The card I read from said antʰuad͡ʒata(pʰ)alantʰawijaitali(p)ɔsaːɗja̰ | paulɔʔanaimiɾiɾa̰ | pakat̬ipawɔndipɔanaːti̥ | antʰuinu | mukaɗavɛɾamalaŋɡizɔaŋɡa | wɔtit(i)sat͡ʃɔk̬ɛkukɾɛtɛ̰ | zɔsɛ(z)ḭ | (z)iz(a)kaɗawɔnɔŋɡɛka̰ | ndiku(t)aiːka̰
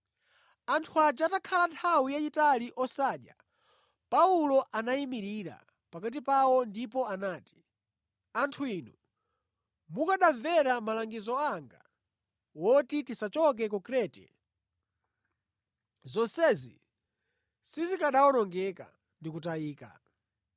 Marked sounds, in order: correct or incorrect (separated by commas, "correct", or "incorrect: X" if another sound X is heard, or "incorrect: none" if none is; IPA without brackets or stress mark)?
incorrect: kʰ, incorrect: ʔ, correct, correct, incorrect: s, incorrect: i, correct